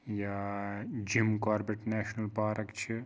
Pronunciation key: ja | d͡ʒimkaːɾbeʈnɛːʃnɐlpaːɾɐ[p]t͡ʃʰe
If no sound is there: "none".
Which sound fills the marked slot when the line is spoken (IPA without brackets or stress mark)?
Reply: k